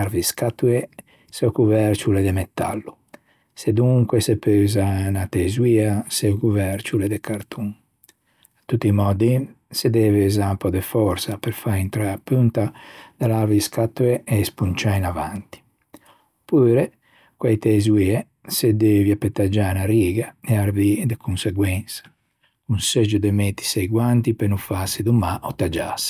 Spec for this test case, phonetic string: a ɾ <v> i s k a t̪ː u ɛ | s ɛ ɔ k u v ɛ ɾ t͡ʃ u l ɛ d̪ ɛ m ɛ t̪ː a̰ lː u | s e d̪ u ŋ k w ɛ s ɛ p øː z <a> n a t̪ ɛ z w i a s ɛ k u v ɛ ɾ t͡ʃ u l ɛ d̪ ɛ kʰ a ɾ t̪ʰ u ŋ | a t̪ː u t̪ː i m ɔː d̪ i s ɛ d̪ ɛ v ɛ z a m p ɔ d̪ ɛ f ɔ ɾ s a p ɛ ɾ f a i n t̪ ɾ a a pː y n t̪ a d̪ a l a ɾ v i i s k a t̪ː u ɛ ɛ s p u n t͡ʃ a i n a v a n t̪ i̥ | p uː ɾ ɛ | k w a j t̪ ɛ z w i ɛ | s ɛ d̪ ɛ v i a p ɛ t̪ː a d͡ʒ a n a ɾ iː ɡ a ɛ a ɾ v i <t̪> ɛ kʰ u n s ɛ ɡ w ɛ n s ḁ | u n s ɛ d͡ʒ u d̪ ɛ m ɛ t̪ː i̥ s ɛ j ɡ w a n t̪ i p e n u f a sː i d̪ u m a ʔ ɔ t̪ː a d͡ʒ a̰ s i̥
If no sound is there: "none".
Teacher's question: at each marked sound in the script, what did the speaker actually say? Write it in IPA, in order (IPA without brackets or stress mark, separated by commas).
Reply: v, a, d̪